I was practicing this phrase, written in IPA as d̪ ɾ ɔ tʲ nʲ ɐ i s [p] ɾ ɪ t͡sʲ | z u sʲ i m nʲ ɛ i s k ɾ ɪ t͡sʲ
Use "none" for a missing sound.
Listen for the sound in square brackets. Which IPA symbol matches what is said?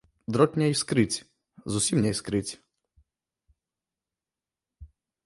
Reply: k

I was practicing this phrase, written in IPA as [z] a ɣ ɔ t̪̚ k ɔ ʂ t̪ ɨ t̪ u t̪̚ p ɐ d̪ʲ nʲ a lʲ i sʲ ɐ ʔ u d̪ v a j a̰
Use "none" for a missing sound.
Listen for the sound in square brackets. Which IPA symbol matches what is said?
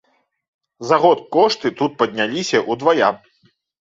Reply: z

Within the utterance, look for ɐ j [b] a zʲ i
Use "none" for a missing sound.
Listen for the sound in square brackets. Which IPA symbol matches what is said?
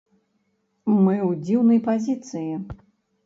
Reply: p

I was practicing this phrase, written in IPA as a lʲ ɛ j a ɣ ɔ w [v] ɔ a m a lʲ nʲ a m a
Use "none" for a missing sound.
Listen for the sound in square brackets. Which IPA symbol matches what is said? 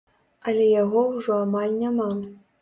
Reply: ʐ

